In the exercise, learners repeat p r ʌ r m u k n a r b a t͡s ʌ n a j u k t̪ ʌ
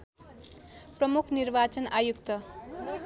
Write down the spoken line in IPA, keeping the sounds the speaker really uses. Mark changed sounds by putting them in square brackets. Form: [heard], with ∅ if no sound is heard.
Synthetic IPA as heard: p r ʌ [∅] m u [kʰ] n [i] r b a t͡s ʌ n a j u k t̪ ʌ